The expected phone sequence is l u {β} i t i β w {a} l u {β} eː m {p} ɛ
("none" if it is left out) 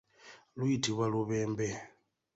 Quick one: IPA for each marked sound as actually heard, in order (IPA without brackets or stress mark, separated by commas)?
none, a, β, b